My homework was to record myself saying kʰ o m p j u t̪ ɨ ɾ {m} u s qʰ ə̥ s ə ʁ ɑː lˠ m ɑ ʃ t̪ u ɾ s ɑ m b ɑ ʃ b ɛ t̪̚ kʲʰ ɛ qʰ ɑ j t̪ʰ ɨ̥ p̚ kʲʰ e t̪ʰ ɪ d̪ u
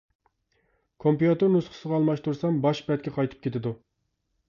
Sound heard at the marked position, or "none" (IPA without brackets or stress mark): n